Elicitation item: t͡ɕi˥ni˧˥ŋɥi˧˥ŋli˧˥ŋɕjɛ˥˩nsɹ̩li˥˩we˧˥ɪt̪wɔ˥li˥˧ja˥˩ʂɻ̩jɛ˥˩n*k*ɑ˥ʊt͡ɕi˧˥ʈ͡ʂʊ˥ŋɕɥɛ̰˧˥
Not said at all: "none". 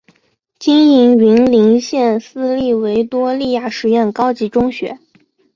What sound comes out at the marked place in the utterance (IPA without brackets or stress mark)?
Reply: k